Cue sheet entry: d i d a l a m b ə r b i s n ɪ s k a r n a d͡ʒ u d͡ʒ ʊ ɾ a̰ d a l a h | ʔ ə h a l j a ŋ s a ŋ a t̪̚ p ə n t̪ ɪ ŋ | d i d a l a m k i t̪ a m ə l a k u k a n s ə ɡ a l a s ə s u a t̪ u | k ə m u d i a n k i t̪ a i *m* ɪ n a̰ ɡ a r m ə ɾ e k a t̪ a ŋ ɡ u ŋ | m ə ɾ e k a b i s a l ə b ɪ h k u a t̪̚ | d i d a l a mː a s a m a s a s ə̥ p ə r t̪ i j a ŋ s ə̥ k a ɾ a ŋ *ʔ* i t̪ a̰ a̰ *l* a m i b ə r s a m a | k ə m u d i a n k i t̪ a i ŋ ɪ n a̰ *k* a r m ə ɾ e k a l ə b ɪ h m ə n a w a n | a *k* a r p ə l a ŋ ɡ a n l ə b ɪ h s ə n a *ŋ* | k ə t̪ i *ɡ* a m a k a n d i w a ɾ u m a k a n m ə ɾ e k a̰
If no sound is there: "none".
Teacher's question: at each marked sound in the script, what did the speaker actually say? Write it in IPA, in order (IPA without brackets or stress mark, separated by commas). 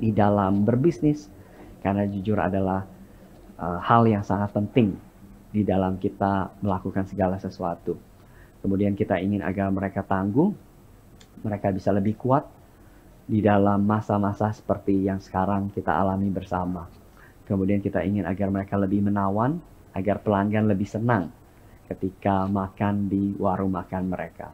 ŋ, k, l, ɡ, ɡ, ŋ, k